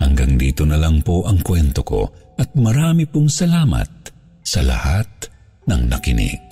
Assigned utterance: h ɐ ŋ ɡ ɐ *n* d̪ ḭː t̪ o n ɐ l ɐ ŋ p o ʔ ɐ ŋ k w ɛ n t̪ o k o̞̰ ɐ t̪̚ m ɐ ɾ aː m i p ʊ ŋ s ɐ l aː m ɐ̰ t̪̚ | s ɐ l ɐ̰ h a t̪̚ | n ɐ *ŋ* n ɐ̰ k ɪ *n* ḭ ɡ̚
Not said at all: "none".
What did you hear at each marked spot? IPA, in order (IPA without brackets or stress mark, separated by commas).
ŋ, ŋ, n